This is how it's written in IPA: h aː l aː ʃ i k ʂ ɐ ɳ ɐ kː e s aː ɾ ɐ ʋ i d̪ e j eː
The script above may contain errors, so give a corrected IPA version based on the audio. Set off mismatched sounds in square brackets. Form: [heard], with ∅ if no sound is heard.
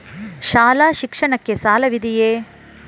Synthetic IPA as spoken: [ʃ] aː l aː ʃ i k ʂ ɐ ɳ ɐ kː e s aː [l] ɐ ʋ i d̪ [i] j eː